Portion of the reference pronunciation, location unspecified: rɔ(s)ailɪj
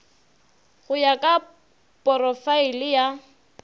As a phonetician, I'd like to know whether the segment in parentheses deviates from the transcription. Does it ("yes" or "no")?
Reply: yes